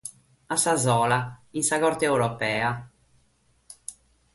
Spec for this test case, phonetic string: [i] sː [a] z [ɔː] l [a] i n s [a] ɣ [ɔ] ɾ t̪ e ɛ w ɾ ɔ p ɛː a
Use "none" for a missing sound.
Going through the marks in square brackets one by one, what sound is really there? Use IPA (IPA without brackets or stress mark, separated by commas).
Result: a, a, ɔː, a, a, ɔ